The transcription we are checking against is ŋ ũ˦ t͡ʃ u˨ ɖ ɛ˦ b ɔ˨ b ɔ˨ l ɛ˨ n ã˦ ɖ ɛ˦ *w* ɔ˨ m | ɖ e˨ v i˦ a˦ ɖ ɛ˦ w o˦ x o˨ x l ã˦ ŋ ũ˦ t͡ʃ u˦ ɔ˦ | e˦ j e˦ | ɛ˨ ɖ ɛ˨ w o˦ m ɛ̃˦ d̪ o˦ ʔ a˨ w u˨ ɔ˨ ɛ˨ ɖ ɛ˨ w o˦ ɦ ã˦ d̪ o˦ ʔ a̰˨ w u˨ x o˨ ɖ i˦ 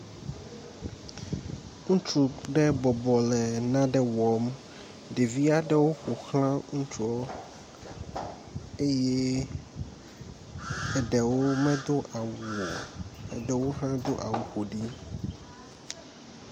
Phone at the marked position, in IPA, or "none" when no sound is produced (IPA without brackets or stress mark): w